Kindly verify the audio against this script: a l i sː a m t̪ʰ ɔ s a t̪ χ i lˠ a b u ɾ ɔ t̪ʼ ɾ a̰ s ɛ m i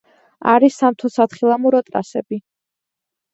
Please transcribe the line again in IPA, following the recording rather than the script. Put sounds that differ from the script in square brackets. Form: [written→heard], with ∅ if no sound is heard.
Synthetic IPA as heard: a [l→ɾ] i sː a m t̪ʰ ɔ s a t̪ χ i lˠ a [b→m] u ɾ ɔ t̪ʼ ɾ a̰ s ɛ [m→b] i

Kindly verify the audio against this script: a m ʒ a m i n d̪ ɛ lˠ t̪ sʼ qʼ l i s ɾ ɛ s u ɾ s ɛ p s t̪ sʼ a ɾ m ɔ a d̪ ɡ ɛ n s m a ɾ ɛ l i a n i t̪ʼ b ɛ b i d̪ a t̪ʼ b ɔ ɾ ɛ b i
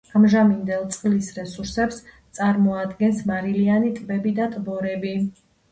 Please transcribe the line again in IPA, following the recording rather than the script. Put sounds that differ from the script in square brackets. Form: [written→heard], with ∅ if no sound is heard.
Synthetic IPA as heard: a m ʒ a m i n d̪ ɛ lˠ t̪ sʼ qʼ l i s ɾ ɛ s u ɾ s ɛ p s t̪ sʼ a ɾ m ɔ a d̪ ɡ ɛ n s m a ɾ [ɛ→i] l i a n i t̪ʼ b ɛ b i d̪ a t̪ʼ b ɔ ɾ ɛ b i

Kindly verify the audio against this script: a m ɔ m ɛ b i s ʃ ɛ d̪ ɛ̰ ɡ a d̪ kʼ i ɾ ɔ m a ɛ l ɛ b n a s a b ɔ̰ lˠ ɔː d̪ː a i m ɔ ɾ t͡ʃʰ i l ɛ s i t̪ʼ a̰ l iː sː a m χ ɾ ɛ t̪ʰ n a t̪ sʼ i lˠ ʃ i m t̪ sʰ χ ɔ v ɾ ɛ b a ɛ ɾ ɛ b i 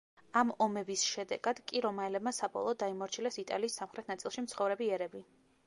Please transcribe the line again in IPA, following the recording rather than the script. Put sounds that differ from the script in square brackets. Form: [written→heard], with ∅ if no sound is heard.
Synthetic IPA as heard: a m ɔ m ɛ b i s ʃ ɛ d̪ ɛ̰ ɡ a d̪ kʼ i ɾ ɔ m a ɛ l ɛ b [n→m] a s a b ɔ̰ lˠ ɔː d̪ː a i m ɔ ɾ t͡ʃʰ i l ɛ s i t̪ʼ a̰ l iː sː a m χ ɾ ɛ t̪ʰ n a t̪ sʼ i lˠ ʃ i m t̪ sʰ χ ɔ v ɾ ɛ b [a→i] ɛ ɾ ɛ b i

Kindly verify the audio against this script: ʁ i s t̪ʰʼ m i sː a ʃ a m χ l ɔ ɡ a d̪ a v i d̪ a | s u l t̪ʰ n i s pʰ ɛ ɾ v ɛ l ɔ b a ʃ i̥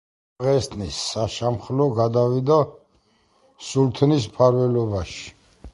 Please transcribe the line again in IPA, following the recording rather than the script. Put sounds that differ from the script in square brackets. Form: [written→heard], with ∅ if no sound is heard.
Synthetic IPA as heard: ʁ [i→ɛ] s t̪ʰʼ [m→n] i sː a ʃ a m χ l ɔ ɡ a d̪ a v i d̪ a | s u l t̪ʰ n i s pʰ [ɛ→a] ɾ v ɛ l ɔ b a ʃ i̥

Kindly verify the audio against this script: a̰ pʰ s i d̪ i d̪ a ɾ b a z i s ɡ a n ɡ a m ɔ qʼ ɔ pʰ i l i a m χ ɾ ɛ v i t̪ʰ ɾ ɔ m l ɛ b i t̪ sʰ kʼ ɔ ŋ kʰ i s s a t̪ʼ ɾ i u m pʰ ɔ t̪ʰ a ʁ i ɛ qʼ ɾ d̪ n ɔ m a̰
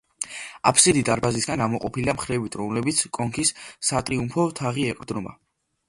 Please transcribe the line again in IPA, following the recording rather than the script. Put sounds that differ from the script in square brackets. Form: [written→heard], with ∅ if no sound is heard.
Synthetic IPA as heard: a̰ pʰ s i d̪ i d̪ a ɾ b a z i s ɡ a n ɡ a m ɔ qʼ ɔ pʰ i l i a m χ ɾ ɛ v i t̪ʰ ɾ ɔ m l ɛ b i t̪ sʰ kʼ ɔ ŋ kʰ i s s a t̪ʼ ɾ i u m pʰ ɔ t̪ʰ a ʁ i ɛ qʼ ɾ d̪ n ɔ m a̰

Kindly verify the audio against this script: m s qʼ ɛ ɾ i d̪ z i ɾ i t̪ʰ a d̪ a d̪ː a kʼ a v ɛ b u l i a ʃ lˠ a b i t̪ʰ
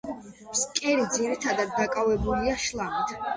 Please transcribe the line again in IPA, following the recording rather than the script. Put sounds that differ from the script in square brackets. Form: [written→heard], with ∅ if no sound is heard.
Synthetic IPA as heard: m s [qʼ→kʼ] ɛ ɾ i d̪ z i ɾ i t̪ʰ a d̪ a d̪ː a kʼ a v ɛ b u l i a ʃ lˠ a [b→m] i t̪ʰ

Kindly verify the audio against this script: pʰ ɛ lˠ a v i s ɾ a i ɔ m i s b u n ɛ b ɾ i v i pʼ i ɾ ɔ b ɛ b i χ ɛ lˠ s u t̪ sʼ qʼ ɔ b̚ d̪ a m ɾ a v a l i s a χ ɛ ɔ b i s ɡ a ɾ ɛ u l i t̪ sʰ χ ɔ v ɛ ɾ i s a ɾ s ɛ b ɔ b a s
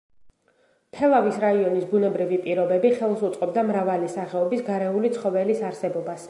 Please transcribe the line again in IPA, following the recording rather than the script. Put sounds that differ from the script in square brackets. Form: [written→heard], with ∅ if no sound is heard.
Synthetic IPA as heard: pʰ ɛ lˠ a v i s ɾ a i ɔ [m→n] i s b u n ɛ b ɾ i v i pʼ i ɾ ɔ b ɛ b i χ ɛ lˠ s u t̪ sʼ qʼ ɔ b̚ d̪ a m ɾ a v a l i s a χ ɛ ɔ b i s ɡ a ɾ ɛ u l i t̪ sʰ χ ɔ v ɛ [ɾ→l] i s a ɾ s ɛ b ɔ b a s

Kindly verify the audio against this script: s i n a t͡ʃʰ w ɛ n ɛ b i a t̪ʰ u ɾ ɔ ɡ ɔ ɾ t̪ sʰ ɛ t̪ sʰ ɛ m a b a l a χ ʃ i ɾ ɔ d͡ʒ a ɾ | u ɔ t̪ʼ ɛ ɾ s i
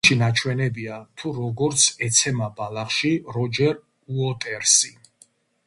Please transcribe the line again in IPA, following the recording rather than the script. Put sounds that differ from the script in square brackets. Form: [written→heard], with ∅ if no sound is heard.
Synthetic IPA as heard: [s→ʃ] i n a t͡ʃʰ w ɛ n ɛ b i a t̪ʰ u ɾ ɔ ɡ ɔ ɾ t̪ sʰ ɛ t̪ sʰ ɛ m a b a l a χ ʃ i ɾ ɔ d͡ʒ [a→ɛ] ɾ | u ɔ t̪ʼ ɛ ɾ s i

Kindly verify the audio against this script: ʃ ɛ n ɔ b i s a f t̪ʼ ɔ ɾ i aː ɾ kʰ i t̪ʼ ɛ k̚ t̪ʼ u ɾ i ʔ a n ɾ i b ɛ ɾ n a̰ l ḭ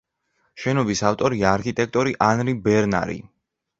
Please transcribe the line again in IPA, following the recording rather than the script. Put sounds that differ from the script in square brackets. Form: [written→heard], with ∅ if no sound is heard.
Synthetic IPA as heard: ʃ ɛ n ɔ b i s a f t̪ʼ ɔ ɾ i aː ɾ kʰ i t̪ʼ ɛ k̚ t̪ʼ [u→ɔ] ɾ i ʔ a n ɾ i b ɛ ɾ n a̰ [l→ɾ] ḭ

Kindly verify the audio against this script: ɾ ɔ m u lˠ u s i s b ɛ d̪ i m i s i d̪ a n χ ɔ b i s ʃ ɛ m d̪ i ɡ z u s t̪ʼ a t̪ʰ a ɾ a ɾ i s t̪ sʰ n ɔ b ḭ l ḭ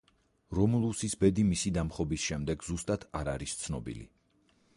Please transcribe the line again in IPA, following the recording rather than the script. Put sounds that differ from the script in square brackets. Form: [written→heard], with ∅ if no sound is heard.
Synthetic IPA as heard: ɾ ɔ m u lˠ u s i s b ɛ d̪ i m i s i d̪ a [n→m] χ ɔ b i s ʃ ɛ m d̪ [i→ɛ] ɡ z u s t̪ʼ a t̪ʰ a ɾ a ɾ i s t̪ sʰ n ɔ b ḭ l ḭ

